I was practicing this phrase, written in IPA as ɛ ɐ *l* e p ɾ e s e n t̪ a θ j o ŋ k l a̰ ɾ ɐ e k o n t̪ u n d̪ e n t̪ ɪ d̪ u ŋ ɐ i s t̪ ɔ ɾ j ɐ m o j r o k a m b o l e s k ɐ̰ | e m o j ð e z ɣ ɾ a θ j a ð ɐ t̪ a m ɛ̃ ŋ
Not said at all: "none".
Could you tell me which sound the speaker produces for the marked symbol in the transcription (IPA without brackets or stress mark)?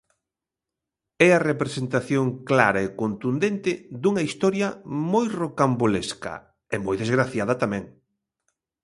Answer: r